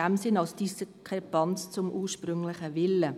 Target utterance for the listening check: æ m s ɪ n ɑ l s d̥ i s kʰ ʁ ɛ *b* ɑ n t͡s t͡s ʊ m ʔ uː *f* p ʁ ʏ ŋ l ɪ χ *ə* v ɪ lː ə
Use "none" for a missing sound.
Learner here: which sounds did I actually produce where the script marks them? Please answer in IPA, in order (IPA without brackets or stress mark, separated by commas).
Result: p, ʃ, ə